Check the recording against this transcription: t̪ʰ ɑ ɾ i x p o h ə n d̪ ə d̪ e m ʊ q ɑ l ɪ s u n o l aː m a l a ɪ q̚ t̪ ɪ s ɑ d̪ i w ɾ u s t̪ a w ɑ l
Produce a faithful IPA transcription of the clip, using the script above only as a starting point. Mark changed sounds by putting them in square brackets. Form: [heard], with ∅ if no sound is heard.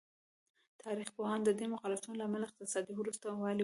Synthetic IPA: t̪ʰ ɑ ɾ i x p o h [ɑ] n d̪ ə d̪ e m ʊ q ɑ l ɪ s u n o l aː m a l a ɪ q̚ t̪ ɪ s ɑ d̪ i w ɾ u s t̪ a w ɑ l